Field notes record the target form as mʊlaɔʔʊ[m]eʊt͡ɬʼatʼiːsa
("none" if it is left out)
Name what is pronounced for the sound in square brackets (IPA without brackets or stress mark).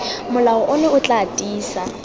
n